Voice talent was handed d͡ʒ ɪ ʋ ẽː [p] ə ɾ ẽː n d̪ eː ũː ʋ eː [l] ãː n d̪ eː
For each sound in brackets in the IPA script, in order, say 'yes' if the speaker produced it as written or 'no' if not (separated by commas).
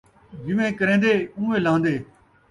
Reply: no, yes